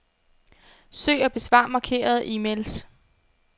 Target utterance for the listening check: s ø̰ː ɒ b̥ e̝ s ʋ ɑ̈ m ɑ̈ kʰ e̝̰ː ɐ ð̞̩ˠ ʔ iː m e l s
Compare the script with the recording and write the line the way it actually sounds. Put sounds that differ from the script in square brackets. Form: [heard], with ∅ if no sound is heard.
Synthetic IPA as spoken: s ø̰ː ɒ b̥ e̝ s ʋ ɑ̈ m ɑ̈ kʰ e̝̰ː ɐ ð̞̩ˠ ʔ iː m e l s